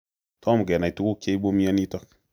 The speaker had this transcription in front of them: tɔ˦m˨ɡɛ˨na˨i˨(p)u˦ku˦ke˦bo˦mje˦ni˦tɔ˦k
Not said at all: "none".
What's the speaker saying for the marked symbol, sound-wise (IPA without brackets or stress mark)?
t